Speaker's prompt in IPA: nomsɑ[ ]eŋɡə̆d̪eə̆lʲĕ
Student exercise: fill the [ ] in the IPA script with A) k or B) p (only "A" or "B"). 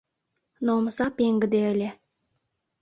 B